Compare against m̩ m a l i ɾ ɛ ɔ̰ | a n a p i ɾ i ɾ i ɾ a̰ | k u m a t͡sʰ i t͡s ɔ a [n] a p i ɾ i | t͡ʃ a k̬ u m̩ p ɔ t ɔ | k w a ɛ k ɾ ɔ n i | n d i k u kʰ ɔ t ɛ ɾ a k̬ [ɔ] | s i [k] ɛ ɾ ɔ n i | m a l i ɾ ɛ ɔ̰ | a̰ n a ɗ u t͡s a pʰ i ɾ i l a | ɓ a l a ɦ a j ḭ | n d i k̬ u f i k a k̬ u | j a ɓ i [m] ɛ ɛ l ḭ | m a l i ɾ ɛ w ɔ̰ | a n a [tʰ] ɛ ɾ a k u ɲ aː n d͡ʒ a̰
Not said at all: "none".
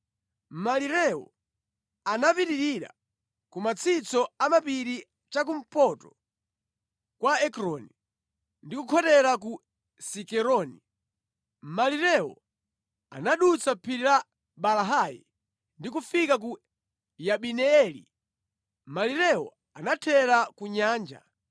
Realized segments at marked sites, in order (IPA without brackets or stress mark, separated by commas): m, u, k, n, tʰ